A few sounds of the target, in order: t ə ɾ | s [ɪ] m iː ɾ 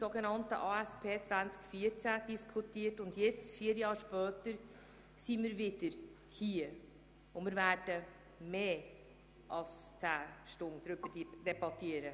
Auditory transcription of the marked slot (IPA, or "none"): i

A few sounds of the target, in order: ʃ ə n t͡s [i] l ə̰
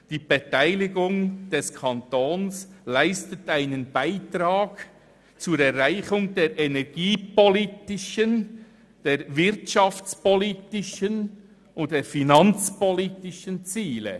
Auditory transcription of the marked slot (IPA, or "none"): iː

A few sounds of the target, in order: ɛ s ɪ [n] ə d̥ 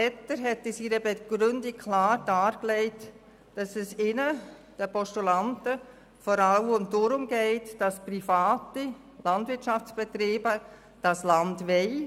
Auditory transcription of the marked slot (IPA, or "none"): n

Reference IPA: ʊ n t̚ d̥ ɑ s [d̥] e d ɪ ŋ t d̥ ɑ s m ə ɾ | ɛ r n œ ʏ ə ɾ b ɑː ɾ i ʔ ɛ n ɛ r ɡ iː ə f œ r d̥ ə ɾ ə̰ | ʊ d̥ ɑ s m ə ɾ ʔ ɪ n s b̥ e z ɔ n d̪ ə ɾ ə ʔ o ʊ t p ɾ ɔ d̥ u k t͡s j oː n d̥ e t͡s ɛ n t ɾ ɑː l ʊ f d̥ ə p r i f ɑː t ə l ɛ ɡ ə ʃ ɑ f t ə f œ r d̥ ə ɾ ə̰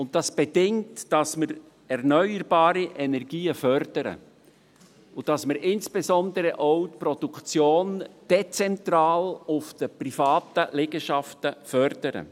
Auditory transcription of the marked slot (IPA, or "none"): b̥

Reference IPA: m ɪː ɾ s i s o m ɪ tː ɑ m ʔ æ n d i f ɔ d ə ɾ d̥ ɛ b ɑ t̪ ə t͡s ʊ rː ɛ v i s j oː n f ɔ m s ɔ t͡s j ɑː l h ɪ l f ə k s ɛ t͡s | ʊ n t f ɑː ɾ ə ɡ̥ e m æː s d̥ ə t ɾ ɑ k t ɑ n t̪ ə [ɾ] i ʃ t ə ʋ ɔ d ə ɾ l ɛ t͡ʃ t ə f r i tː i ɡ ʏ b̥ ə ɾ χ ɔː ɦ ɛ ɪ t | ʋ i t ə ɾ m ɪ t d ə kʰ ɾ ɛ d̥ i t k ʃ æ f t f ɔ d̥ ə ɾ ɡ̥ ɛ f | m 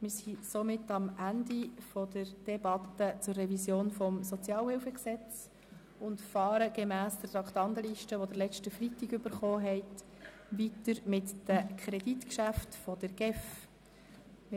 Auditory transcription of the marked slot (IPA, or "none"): l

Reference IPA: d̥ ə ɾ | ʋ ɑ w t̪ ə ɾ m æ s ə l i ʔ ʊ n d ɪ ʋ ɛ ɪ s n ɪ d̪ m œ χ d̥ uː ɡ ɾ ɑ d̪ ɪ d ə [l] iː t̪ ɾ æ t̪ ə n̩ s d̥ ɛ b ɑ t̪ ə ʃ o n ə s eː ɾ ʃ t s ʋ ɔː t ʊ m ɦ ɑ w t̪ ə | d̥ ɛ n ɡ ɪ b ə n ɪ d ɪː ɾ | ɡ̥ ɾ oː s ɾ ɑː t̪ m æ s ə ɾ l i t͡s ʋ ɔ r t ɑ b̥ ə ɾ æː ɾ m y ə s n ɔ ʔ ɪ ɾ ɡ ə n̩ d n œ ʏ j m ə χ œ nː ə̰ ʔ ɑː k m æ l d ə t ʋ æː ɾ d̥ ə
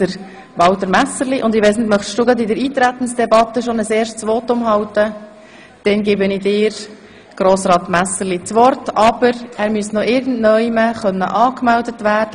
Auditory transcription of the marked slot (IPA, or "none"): ɾ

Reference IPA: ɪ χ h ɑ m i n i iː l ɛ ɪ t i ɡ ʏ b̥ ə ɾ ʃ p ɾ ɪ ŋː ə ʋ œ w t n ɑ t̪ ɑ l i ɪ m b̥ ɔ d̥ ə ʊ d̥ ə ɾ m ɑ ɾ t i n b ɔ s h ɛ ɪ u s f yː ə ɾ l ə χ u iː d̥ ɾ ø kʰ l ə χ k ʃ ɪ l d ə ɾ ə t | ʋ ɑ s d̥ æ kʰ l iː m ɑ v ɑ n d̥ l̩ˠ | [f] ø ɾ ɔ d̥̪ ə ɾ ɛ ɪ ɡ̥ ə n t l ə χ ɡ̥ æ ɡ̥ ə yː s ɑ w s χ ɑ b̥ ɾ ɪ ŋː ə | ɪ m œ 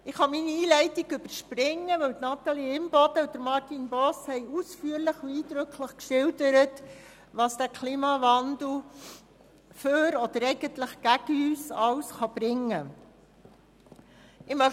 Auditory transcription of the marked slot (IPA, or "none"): f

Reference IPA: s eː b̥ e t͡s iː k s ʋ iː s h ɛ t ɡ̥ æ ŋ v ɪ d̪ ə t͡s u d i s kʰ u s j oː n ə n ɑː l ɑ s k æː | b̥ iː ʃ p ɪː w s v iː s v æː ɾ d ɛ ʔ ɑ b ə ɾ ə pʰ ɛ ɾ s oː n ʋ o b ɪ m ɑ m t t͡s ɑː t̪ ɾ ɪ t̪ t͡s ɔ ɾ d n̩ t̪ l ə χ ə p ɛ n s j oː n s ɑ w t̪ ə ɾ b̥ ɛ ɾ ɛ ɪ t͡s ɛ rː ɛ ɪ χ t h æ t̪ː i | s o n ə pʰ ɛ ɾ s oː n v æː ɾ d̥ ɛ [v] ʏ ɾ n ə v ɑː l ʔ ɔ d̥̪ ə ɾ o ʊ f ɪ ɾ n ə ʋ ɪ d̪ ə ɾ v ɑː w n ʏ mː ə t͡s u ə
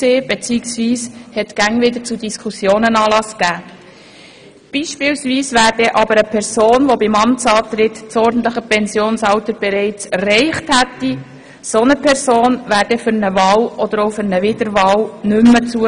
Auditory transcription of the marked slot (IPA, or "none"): f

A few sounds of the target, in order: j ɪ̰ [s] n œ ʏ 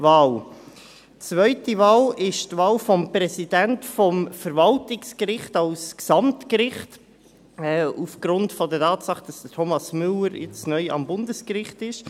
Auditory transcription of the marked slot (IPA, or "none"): t͡s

